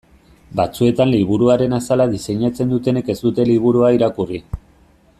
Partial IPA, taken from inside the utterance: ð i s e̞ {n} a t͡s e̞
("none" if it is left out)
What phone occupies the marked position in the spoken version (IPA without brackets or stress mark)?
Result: ɲ